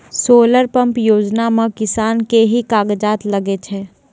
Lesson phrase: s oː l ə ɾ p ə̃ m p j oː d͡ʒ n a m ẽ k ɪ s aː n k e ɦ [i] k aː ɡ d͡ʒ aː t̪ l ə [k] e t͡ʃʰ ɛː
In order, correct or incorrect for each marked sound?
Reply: correct, incorrect

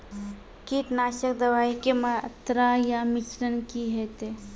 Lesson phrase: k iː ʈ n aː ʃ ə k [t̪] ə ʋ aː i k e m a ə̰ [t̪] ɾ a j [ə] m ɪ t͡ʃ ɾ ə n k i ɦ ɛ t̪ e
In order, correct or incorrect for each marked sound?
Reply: incorrect, correct, incorrect

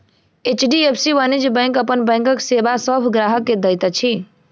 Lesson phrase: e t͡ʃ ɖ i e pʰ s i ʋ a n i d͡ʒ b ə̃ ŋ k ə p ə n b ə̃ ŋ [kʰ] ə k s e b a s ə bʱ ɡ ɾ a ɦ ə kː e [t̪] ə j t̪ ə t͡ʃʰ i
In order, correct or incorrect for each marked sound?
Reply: incorrect, incorrect

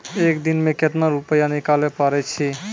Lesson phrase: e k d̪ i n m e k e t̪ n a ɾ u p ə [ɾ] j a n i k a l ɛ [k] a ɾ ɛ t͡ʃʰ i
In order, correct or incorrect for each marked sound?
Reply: incorrect, incorrect

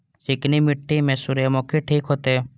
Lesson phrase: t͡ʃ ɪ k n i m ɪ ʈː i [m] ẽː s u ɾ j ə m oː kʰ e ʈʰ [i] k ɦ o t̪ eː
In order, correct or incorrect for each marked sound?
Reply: correct, incorrect

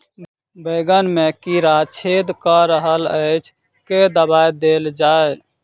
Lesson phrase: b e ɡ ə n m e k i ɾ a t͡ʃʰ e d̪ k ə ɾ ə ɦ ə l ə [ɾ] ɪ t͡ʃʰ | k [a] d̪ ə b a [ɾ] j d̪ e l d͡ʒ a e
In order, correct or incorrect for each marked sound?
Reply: incorrect, incorrect, incorrect

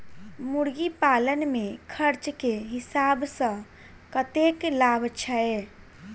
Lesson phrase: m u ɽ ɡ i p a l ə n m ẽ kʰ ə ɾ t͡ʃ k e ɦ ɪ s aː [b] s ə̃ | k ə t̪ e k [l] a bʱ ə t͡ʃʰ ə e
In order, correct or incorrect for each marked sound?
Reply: correct, correct

